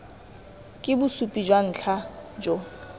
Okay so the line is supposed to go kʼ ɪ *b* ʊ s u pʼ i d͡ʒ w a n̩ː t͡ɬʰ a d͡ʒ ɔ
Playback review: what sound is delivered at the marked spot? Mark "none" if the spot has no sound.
b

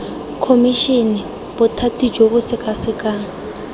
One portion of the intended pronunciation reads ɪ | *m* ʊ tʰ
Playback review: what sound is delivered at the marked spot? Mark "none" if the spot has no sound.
b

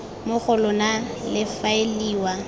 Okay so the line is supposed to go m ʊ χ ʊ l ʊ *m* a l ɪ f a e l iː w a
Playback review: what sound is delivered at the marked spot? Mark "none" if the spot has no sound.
n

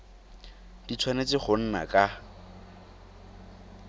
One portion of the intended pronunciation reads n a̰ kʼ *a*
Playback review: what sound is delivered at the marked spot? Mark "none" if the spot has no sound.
a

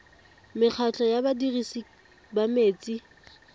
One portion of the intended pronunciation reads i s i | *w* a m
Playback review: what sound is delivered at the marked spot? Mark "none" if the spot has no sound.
b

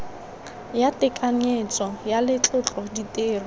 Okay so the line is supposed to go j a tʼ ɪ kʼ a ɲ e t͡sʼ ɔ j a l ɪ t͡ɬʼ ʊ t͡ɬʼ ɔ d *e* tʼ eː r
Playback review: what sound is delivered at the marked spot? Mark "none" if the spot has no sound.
i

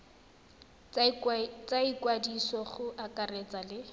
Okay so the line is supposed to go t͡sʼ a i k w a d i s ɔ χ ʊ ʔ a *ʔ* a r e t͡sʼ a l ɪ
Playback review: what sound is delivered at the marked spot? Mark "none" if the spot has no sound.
k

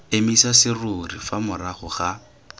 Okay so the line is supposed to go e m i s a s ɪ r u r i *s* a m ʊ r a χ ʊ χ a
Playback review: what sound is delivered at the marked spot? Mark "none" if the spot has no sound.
f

